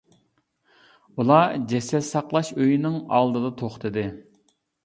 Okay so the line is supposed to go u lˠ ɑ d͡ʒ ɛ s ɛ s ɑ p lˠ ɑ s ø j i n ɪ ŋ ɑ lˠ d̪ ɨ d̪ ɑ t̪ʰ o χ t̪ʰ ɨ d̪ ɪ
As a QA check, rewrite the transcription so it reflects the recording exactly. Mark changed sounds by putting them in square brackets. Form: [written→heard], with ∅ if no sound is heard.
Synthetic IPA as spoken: u lˠ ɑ d͡ʒ ɛ s ɛ s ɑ [p→q] lˠ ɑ [s→ʃ] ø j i n ɪ ŋ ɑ lˠ d̪ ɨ d̪ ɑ t̪ʰ o χ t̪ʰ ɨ d̪ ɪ